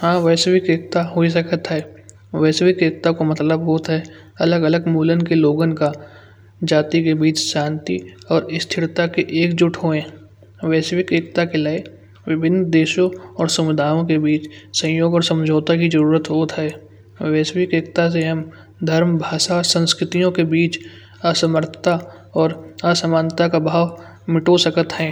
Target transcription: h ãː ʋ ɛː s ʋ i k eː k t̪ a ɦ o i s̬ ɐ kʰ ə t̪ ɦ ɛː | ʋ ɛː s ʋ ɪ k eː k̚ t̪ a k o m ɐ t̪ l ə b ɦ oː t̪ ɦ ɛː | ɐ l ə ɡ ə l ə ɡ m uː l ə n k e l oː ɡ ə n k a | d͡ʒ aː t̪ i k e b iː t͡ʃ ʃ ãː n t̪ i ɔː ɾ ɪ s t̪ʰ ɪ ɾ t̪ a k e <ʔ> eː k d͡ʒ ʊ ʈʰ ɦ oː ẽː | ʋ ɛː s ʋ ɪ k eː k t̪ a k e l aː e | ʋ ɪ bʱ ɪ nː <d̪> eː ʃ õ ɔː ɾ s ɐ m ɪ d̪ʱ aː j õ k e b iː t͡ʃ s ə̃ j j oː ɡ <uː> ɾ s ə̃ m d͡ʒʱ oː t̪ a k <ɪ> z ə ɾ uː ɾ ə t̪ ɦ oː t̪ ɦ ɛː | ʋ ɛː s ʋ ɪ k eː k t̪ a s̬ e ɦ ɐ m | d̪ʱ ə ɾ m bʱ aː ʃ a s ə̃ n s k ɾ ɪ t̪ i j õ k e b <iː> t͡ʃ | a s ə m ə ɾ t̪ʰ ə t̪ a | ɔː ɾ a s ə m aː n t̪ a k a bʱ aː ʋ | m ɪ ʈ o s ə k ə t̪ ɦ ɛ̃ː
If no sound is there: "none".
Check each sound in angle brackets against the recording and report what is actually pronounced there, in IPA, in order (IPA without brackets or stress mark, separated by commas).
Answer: ʔ, d̪, ɔː, i, iː